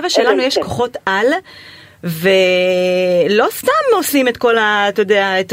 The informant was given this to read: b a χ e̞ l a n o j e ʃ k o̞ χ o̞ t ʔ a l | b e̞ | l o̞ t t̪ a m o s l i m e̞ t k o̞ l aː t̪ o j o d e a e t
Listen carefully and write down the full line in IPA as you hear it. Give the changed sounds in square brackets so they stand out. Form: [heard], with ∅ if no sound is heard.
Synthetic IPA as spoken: [v] a [ʃ] e̞ l a n [u] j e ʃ k o̞ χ o̞ t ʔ a l | [v] e̞ | l o̞ [s] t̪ a m o s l i m e̞ t k o̞ l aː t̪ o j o d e a e t